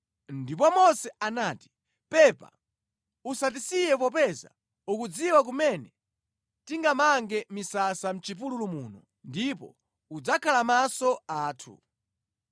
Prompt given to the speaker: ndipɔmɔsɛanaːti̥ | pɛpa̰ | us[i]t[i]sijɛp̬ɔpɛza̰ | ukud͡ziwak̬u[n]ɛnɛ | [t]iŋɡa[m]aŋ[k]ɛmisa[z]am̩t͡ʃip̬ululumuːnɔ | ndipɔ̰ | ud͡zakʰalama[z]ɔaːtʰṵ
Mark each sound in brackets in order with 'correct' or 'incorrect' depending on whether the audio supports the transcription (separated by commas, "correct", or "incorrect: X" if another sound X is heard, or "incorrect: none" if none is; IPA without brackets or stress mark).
incorrect: a, correct, incorrect: m, correct, correct, incorrect: ɡ, incorrect: s, incorrect: s